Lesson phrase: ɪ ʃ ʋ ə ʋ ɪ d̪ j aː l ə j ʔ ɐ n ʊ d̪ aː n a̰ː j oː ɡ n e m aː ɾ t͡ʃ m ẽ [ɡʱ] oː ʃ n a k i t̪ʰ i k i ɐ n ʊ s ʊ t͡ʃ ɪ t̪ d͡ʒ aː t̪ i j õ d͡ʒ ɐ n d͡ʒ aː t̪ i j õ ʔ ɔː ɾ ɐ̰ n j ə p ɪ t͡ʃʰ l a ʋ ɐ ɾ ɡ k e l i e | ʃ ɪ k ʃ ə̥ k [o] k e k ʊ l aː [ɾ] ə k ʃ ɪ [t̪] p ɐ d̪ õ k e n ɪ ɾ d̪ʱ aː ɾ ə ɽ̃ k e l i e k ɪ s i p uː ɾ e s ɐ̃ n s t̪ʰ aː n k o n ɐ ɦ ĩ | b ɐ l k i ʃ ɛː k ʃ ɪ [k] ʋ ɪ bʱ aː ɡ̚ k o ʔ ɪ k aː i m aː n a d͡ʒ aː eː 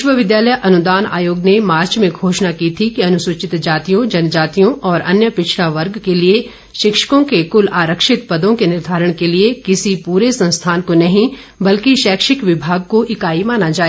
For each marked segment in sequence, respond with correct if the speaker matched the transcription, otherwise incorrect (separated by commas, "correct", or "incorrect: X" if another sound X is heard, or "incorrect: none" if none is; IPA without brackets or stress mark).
correct, incorrect: õ, correct, correct, correct